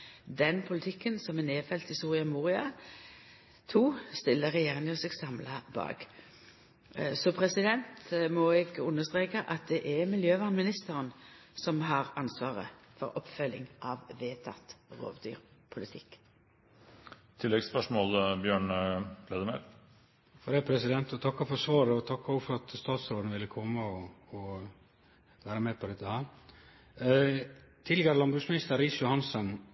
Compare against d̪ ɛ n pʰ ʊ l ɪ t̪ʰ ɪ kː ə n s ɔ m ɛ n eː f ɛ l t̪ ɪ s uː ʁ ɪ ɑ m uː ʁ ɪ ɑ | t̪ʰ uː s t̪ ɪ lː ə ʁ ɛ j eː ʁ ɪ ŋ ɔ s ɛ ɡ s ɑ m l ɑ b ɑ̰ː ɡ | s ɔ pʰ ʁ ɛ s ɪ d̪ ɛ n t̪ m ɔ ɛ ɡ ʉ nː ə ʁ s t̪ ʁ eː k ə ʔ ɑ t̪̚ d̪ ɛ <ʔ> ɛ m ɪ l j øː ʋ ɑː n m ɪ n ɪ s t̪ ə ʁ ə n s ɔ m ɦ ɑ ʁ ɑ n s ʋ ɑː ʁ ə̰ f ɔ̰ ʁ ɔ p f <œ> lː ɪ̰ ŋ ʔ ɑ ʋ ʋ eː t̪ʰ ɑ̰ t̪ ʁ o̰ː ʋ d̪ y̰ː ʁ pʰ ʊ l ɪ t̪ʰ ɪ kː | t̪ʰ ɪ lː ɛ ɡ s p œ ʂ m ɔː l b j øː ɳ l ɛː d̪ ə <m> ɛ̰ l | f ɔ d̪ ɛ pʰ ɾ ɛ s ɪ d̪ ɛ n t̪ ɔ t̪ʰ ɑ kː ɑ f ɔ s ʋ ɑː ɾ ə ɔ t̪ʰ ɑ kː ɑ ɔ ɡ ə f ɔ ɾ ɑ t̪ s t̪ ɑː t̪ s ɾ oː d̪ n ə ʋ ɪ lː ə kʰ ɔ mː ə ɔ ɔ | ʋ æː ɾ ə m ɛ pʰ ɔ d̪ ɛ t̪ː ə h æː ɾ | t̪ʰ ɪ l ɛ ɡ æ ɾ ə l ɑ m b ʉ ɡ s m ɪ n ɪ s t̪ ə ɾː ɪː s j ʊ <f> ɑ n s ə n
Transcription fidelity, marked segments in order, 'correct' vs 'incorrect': correct, correct, correct, incorrect: h

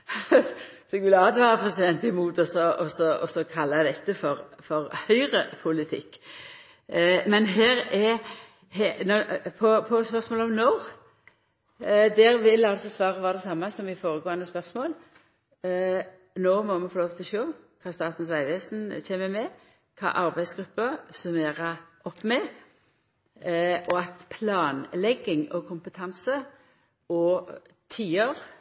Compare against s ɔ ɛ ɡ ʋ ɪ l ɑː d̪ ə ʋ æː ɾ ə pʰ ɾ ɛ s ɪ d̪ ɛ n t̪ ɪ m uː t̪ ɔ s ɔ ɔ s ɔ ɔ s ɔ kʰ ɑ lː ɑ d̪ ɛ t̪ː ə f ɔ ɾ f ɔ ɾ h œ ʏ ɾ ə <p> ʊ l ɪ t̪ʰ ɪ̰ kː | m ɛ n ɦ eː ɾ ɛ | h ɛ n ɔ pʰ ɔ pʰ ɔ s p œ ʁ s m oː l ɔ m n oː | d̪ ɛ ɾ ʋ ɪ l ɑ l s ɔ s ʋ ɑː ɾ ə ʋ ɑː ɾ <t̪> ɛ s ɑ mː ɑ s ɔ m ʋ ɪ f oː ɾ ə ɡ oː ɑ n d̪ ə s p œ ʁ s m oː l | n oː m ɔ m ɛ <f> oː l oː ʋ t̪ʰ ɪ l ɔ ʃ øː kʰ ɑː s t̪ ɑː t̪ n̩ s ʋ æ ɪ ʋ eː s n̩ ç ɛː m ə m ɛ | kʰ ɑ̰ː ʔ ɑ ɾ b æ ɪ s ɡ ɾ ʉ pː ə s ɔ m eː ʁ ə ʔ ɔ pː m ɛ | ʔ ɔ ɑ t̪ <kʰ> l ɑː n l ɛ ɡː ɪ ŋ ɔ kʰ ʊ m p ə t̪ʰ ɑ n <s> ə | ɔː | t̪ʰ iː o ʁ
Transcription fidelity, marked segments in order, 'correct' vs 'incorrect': incorrect: pʰ, incorrect: d̪, correct, incorrect: pʰ, correct

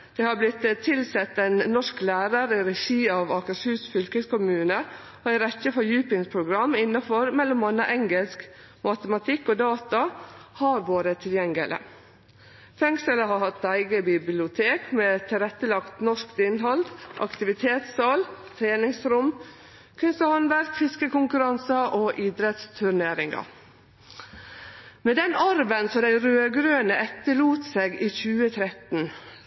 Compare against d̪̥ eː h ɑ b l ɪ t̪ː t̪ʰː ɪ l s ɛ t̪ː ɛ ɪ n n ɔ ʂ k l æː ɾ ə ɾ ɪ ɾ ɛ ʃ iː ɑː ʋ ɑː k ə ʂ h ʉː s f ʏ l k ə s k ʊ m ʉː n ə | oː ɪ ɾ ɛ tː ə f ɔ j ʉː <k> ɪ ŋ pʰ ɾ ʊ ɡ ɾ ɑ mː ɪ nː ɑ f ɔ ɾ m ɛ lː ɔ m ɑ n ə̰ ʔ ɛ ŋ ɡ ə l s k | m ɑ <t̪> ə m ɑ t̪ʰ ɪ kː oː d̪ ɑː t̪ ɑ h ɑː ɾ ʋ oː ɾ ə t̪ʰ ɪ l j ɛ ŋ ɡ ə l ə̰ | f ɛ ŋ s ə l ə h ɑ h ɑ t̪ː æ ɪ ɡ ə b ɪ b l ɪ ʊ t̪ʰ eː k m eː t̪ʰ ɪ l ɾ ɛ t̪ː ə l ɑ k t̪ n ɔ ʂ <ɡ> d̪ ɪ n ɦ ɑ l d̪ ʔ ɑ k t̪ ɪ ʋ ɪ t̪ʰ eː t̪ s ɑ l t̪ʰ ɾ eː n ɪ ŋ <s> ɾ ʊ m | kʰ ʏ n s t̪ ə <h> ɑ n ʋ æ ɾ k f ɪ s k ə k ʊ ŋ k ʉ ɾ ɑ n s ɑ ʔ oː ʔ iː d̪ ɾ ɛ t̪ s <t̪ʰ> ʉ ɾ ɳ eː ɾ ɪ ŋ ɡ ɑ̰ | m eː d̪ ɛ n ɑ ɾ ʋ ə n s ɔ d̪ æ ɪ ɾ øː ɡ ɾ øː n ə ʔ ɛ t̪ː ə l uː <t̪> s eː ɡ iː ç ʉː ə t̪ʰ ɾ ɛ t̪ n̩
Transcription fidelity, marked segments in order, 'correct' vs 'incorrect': incorrect: p, correct, incorrect: k, correct, correct, correct, correct

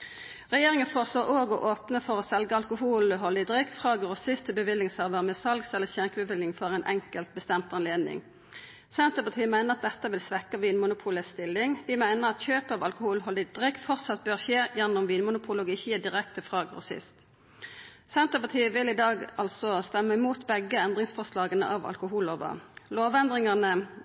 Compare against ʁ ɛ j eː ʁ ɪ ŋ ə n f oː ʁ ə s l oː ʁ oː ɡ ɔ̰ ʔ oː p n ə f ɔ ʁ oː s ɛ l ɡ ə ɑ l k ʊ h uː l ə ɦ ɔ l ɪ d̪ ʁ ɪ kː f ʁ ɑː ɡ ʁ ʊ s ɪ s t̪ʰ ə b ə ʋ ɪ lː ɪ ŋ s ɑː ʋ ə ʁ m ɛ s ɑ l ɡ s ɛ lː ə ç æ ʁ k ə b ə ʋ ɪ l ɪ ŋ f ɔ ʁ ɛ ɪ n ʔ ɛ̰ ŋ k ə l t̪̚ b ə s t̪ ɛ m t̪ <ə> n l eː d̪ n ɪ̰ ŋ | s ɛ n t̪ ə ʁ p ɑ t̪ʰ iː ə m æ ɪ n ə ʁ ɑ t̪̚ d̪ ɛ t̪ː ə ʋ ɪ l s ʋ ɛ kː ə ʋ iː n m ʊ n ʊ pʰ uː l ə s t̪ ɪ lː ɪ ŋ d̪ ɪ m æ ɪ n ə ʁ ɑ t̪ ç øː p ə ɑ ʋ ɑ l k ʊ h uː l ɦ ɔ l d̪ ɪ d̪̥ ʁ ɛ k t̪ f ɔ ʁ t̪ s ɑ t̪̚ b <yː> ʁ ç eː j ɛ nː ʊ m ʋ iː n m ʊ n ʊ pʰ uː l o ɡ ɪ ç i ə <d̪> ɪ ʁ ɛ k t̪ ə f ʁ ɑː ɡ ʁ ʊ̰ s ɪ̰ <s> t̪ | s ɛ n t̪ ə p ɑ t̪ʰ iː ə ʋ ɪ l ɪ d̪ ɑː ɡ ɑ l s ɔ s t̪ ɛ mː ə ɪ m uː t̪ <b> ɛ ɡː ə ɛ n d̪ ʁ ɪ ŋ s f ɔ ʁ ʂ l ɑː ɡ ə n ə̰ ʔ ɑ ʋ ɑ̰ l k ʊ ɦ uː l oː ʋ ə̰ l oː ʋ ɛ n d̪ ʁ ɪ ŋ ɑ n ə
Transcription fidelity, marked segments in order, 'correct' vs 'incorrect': incorrect: ɑ, incorrect: øː, correct, correct, correct

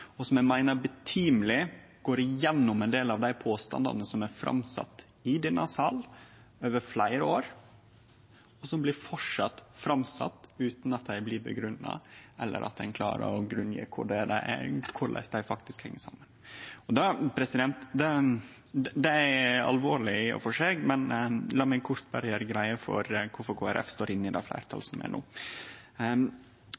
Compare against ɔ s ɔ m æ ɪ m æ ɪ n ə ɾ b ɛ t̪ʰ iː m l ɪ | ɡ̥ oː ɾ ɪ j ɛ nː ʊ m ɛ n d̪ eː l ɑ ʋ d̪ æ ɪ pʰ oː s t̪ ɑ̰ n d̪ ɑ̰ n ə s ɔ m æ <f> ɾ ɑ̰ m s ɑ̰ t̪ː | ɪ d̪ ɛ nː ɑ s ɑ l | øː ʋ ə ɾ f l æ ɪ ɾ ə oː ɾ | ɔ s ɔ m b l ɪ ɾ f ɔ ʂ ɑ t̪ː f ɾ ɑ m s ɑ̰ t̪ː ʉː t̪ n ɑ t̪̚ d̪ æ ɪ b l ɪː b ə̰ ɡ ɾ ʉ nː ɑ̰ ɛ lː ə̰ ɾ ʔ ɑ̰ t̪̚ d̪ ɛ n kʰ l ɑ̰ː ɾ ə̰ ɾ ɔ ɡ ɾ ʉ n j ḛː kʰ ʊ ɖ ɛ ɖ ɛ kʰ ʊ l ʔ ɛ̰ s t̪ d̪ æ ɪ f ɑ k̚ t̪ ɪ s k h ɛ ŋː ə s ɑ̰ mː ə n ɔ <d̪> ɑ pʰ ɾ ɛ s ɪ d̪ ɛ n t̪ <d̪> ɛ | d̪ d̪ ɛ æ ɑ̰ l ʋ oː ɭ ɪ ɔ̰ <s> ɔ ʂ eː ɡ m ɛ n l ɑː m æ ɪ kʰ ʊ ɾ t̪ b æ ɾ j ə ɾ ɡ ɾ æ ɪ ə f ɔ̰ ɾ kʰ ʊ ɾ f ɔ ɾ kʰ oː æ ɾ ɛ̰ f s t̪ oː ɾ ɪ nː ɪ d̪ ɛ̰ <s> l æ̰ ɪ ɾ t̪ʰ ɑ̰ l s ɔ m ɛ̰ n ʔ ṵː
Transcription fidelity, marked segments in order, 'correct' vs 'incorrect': correct, correct, correct, incorrect: f, incorrect: f

